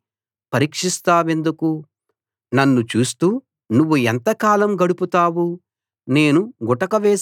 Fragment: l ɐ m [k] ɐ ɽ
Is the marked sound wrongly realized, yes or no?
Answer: yes